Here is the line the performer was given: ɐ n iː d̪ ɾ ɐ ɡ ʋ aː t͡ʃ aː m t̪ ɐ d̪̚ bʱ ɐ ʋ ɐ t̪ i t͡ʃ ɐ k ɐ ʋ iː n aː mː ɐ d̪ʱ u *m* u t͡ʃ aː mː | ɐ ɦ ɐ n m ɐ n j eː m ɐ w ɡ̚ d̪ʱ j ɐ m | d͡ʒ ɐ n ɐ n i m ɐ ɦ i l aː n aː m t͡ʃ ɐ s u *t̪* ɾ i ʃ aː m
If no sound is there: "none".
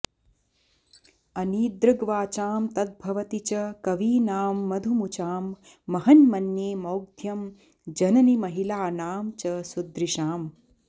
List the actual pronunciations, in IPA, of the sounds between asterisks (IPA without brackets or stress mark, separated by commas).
m, d̪